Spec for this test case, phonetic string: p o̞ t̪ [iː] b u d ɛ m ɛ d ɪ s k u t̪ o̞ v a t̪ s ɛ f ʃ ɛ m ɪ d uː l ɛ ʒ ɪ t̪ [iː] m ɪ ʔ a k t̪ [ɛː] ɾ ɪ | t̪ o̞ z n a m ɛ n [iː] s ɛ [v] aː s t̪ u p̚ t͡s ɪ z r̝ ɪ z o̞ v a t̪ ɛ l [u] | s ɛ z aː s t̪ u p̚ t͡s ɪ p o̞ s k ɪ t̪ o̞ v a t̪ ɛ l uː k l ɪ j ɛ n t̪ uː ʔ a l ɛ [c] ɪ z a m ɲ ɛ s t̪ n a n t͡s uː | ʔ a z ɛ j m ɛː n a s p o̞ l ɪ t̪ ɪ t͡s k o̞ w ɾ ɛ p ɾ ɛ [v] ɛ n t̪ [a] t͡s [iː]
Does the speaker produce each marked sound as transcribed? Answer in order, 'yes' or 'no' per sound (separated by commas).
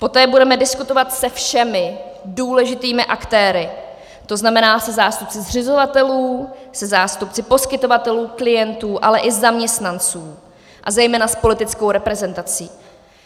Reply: no, yes, yes, no, no, no, no, no, yes, yes